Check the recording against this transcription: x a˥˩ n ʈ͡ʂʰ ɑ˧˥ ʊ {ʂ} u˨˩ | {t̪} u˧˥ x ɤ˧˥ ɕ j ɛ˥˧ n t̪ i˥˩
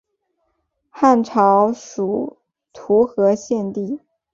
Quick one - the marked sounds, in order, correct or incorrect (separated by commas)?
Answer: correct, incorrect